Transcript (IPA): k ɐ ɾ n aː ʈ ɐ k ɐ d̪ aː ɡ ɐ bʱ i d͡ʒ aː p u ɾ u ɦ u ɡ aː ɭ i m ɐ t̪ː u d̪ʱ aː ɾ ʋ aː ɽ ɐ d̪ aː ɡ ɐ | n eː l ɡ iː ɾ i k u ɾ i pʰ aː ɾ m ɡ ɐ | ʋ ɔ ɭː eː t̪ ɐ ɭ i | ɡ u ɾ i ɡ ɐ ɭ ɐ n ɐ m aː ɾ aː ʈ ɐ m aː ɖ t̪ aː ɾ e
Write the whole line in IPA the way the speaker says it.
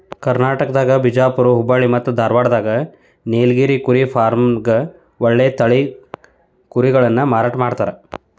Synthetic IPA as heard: k ɐ ɾ n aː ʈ ɐ k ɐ d̪ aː ɡ ɐ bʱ i d͡ʒ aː p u ɾ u ɦ u b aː ɭ i m ɐ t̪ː u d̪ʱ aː ɾ ʋ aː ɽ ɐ d̪ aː ɡ ɐ | n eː l ɡ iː ɾ i k u ɾ i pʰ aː ɾ m ɡ ɐ | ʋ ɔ ɭː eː t̪ ɐ ɭ i | k u ɾ i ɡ ɐ ɭ ɐ nː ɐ m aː ɾ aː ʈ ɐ m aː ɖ t̪ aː ɾ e

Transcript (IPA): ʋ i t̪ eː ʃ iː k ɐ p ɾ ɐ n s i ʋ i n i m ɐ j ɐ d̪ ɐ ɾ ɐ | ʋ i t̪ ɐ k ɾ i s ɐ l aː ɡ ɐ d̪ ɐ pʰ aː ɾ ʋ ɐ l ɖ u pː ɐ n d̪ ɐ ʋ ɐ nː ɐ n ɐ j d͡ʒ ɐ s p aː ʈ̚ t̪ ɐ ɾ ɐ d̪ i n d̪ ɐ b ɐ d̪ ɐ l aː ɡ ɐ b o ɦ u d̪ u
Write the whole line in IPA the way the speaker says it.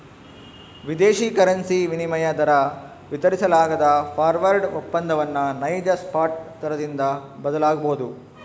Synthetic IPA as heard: ʋ i d̪ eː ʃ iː k ɐ ɾ ɐ n s i ʋ i n i m ɐ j ɐ d̪ ɐ ɾ ɐ | ʋ i t̪ ɐ ɾ i s ɐ l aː ɡ ɐ d̪ ɐ pʰ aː ɾ ʋ ɐ ɾ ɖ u pː ɐ n d̪ ɐ ʋ ɐ nː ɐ n ɐ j d͡ʒ ɐ s p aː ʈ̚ t̪ ɐ ɾ ɐ d̪ i n d̪ ɐ b ɐ d̪ ɐ l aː ɡ ɐ b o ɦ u d̪ u

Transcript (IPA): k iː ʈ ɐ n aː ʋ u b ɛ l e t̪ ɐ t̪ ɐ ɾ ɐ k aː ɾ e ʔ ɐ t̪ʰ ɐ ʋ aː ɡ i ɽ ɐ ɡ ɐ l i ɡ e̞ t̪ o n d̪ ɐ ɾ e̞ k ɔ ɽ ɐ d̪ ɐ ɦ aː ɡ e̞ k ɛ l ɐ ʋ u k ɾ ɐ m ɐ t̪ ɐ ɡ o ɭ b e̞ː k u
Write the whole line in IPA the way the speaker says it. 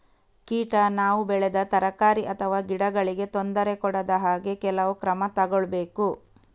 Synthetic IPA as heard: k iː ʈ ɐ n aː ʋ u b ɛ ɭ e d̪ ɐ t̪ ɐ ɾ ɐ k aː ɾ i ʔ ɐ t̪ʰ ɐ ʋ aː ɡ i ɽ ɐ ɡ ɐ ɭ i ɡ e̞ t̪ o n d̪ ɐ ɾ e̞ k ɔ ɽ ɐ d̪ ɐ ɦ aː ɡ e̞ k ɛ l ɐ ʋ u k ɾ ɐ m ɐ t̪ ɐ ɡ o ɭ b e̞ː k u

